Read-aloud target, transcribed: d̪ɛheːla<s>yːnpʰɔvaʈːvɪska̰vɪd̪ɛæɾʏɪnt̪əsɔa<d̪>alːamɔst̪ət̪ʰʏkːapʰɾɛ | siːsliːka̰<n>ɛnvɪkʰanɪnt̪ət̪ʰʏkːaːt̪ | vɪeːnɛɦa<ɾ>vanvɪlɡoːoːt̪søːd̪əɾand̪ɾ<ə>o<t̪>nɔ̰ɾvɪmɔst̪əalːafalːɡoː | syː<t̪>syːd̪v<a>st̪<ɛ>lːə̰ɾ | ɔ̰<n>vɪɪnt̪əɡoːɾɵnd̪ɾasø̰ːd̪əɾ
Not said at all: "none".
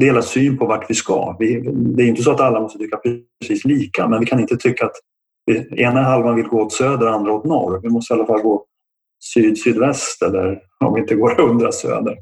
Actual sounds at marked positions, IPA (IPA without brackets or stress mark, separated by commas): s, t̪, m, l, a, t̪, d̪, ɛ, ɛ, m